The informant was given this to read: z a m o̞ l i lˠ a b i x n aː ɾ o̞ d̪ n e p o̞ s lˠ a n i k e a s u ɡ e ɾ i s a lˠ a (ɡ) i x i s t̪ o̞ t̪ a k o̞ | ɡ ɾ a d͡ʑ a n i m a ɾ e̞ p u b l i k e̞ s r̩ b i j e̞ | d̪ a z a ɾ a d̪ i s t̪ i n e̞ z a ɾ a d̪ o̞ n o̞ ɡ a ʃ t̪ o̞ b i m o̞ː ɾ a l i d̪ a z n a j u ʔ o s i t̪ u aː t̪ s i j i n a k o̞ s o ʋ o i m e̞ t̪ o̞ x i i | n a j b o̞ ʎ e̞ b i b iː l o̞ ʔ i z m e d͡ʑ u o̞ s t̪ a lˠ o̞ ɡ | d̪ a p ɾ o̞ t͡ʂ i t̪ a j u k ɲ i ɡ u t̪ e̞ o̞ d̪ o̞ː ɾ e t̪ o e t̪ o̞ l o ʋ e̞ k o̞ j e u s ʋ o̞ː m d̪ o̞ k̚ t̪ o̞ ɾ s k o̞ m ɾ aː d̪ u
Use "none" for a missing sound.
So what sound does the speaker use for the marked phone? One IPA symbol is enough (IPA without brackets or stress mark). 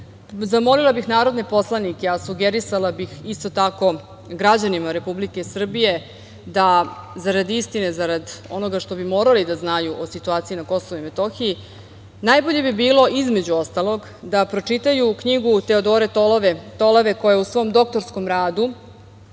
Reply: b